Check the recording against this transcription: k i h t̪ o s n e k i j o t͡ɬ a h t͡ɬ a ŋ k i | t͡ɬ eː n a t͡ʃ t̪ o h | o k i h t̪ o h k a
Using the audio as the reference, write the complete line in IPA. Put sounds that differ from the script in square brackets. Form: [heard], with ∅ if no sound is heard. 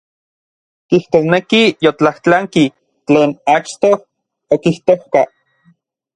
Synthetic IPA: k i h t̪ o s n e k i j o t͡ɬ a h t͡ɬ a ŋ k i | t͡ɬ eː n a t͡ʃ t̪ o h | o k i h t̪ o h k a

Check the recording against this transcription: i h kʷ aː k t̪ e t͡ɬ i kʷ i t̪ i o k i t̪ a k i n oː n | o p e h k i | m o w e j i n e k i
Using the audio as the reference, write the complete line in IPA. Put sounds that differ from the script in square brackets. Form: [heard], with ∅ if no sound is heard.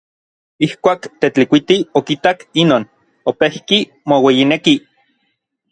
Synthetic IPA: i h kʷ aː k t̪ e t͡ɬ i kʷ i t̪ i o k i t̪ a k i n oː n | o p e h k i | m o w e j i n e k i

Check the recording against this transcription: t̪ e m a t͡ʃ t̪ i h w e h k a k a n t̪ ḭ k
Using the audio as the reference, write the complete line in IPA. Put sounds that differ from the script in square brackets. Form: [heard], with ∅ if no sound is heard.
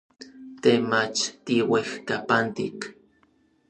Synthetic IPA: t̪ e m a t͡ʃ t̪ i [∅] w e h k a [p] a n t̪ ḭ k

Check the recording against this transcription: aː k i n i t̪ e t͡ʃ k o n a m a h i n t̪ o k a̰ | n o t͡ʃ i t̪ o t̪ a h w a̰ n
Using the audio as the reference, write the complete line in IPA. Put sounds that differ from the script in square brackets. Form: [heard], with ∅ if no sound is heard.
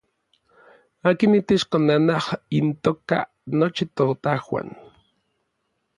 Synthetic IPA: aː k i n i t̪ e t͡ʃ k o n a [n] a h i n t̪ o k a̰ | n o t͡ʃ i t̪ o t̪ a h w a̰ n

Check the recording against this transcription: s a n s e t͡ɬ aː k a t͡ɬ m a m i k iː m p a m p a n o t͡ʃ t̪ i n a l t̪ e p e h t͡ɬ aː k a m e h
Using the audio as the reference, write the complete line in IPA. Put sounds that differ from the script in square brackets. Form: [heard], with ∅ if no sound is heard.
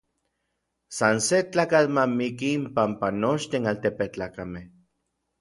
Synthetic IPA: s a n s e t͡ɬ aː k a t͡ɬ m a m i k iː m p a m p a n o t͡ʃ t̪ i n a l t̪ e p e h t͡ɬ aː k a m e h

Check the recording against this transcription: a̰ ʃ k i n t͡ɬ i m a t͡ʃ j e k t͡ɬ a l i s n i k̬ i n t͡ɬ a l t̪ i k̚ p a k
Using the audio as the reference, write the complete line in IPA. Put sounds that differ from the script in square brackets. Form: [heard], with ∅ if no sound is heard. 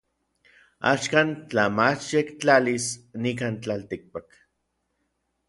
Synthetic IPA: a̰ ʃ k [a] n t͡ɬ [a] m a t͡ʃ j e k t͡ɬ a l i s n i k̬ [a] n t͡ɬ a l t̪ i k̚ p a k

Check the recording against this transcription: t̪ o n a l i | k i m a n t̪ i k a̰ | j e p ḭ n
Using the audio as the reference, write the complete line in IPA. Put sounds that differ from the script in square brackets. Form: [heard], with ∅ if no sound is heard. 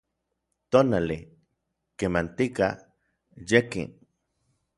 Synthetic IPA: t̪ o n a l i | k [e] m a n t̪ i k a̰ | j e [k] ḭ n

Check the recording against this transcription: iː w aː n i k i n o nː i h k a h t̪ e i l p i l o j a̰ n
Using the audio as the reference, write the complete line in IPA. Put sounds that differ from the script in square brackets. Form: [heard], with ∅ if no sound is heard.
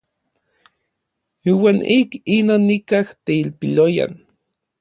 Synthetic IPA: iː w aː n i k i n o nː i [∅] k a h t̪ e i l p i l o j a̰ n

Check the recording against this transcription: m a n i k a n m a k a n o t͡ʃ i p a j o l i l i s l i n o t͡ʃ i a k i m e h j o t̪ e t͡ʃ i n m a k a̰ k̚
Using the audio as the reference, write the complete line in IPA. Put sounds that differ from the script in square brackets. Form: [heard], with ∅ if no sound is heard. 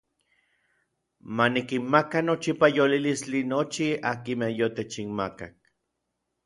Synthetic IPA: m a n i k [i] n m a k a n o t͡ʃ i p a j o l i l i s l i n o t͡ʃ i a k i m e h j o t̪ e t͡ʃ i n m a k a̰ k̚

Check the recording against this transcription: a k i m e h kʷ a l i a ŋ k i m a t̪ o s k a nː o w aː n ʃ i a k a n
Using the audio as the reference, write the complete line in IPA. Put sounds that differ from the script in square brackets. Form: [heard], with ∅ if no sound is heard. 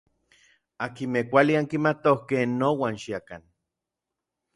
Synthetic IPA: a k i m e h kʷ a l i a ŋ k i m a t̪ o [h] k [e] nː o w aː n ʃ i a k a n

